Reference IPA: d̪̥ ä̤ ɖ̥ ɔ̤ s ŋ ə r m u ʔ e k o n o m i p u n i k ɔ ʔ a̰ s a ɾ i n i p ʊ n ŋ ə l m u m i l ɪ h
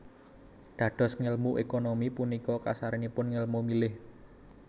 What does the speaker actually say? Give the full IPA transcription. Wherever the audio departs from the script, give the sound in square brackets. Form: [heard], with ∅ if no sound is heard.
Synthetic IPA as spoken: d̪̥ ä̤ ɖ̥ ɔ̤ s ŋ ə [l] m u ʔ e k o n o m i p u n i k ɔ [k] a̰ s a ɾ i n i p ʊ n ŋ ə l m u m i l ɪ h